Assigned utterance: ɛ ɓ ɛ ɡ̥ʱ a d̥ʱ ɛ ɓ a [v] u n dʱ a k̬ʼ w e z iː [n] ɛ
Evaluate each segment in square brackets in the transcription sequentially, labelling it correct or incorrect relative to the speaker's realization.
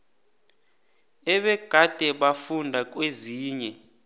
incorrect: f, incorrect: ɲ

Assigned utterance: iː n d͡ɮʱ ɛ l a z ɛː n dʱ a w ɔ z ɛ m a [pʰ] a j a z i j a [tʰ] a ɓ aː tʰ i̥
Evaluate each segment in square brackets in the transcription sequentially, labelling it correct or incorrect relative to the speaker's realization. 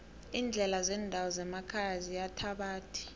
incorrect: kʰ, correct

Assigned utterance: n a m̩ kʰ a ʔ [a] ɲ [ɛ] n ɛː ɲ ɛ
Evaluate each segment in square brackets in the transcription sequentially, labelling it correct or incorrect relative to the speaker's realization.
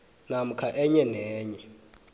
incorrect: ɛ, correct

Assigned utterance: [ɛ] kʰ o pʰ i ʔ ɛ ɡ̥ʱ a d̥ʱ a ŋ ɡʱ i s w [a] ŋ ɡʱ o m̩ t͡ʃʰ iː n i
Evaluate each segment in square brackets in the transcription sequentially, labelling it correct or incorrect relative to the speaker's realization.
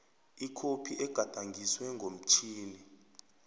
incorrect: i, incorrect: ɛ

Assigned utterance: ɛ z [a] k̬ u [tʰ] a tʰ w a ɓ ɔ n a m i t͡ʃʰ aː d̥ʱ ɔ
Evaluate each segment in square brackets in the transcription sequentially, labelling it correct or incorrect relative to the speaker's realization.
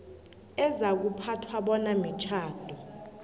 correct, incorrect: pʰ

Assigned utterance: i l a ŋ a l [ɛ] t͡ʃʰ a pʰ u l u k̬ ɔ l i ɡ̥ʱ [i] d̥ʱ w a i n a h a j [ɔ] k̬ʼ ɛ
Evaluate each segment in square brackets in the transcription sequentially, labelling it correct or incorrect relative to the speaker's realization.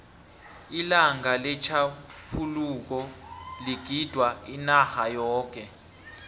correct, correct, incorrect: ɔː

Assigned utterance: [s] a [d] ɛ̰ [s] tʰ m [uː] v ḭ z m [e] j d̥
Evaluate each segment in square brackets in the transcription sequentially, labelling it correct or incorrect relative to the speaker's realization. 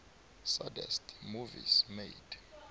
correct, correct, correct, incorrect: u, correct

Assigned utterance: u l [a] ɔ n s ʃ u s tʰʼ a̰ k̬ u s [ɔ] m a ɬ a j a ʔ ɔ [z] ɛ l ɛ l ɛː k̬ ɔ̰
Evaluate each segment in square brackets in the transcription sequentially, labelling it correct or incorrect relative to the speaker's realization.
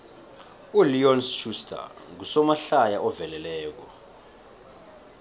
incorrect: i, correct, incorrect: v

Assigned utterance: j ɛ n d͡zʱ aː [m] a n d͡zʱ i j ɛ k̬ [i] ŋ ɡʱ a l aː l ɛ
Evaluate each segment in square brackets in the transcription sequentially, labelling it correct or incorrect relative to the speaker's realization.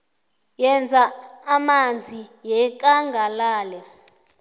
correct, incorrect: a

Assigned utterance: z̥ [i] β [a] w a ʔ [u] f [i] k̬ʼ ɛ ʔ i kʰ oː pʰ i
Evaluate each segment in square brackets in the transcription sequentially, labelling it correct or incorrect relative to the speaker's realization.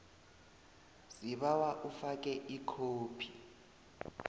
correct, correct, correct, incorrect: a

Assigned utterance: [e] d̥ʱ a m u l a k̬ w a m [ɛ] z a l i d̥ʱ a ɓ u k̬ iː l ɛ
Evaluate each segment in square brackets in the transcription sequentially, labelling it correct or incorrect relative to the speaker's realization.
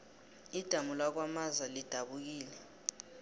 incorrect: i, incorrect: a

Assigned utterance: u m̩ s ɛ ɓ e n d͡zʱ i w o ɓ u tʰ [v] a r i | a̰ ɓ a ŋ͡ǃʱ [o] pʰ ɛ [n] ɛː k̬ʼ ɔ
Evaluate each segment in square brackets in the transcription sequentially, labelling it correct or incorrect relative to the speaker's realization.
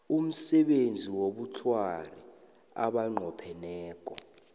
incorrect: w, incorrect: ɔ, correct

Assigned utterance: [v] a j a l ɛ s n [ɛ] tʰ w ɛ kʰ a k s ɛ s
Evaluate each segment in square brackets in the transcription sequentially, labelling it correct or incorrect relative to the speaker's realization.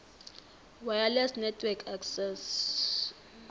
incorrect: w, correct

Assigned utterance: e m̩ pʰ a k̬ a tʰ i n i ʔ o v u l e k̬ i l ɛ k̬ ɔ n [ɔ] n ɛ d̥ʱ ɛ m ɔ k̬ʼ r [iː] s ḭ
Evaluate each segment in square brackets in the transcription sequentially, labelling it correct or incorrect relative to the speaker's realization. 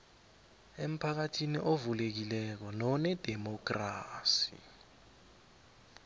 correct, incorrect: aː

